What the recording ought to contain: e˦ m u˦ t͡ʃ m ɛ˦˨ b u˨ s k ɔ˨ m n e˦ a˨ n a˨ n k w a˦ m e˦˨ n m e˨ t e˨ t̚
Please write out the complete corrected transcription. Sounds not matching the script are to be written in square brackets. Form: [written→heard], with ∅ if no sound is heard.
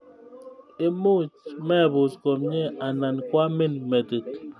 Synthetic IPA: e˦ m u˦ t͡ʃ m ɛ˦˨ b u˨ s k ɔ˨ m [n→ɲ] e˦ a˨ n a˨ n k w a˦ m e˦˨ n m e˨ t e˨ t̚